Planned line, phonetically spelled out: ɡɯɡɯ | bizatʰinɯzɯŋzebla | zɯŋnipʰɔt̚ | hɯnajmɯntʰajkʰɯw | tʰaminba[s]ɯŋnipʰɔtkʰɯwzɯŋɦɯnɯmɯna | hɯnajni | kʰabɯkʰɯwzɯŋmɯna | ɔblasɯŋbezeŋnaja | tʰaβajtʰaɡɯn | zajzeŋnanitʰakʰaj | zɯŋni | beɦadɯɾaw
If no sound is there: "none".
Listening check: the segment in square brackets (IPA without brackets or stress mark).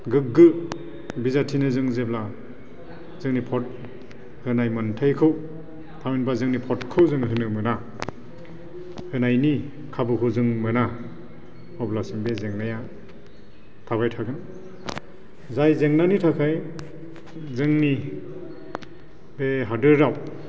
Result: z